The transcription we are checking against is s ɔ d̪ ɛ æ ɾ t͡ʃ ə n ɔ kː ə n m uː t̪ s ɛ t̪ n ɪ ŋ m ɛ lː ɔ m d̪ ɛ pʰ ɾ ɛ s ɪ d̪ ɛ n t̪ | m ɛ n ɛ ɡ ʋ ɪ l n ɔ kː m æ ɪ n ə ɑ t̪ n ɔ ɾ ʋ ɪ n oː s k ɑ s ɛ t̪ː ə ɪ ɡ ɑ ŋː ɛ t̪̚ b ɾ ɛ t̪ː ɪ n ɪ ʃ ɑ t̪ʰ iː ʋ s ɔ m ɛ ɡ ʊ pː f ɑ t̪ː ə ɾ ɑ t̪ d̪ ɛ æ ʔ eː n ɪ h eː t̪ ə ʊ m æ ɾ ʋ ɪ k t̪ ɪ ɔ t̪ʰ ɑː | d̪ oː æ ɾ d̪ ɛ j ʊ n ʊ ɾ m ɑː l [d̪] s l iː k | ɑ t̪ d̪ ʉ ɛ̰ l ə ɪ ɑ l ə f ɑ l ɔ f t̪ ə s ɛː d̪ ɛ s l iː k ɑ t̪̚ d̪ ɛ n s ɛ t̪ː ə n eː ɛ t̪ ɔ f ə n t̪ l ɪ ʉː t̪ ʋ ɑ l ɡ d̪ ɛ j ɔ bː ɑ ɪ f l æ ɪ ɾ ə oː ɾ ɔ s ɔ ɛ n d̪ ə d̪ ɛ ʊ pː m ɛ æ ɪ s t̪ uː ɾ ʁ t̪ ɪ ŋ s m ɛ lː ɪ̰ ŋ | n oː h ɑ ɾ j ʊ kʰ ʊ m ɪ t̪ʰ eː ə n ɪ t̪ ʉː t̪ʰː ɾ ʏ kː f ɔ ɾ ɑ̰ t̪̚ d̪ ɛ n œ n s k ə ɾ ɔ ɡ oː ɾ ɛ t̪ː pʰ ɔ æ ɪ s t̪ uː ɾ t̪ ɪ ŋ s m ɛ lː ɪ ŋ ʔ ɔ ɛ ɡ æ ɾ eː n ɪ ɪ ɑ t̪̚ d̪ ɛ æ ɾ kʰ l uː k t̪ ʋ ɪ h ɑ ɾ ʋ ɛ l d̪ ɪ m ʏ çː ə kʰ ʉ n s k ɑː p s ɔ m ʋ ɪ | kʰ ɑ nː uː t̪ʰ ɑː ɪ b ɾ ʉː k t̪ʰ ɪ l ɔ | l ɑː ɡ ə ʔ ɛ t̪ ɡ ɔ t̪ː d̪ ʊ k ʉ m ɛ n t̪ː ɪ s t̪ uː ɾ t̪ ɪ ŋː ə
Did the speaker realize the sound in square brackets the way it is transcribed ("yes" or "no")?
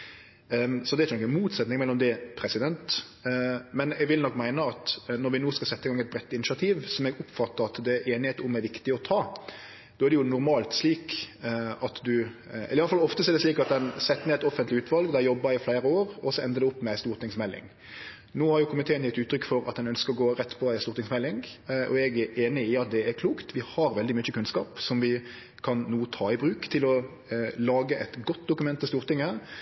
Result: no